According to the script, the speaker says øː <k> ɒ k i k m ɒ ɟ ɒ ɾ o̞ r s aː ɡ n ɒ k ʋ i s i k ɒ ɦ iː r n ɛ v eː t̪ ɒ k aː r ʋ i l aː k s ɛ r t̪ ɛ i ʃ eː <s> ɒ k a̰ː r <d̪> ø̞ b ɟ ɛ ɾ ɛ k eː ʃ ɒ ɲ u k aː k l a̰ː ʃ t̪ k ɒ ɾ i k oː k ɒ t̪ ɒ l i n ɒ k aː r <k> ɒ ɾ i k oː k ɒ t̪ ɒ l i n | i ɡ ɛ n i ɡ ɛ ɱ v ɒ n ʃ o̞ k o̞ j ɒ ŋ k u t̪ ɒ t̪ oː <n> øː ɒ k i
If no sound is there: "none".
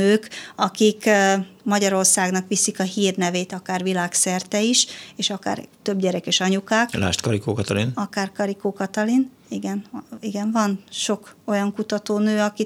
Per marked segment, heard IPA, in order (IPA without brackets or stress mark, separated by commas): k, ʃ, t̪, k, n